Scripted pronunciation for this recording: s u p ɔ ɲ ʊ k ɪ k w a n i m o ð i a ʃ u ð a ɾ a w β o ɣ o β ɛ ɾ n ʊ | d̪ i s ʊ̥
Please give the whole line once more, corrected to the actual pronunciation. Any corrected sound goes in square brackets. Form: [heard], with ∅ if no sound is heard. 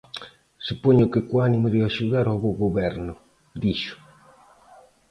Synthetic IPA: s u p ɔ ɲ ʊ k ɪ k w a n i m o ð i a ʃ u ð a ɾ a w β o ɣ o β ɛ ɾ n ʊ | d̪ i [ʃ] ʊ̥